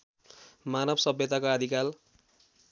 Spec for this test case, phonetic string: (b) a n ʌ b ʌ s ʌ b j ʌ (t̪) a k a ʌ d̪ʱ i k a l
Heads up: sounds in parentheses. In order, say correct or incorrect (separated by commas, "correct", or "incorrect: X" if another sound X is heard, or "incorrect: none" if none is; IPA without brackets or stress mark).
incorrect: m, correct